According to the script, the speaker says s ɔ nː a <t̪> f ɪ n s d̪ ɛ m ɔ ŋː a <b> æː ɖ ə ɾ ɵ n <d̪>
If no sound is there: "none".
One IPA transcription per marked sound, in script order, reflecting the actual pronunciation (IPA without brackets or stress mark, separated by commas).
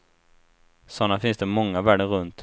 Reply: none, v, t̪